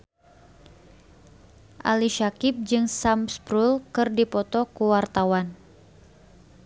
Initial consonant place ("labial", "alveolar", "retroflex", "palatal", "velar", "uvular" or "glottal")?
glottal